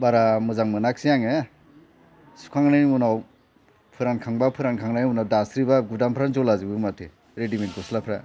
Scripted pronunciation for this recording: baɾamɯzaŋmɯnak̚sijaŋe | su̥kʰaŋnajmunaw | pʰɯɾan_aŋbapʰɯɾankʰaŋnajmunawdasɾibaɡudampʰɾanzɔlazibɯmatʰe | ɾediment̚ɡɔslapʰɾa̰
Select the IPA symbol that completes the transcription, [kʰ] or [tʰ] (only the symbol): kʰ